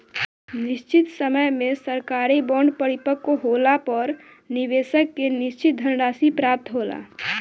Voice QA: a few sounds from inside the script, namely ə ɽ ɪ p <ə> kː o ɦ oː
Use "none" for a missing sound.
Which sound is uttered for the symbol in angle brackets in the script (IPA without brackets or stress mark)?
ə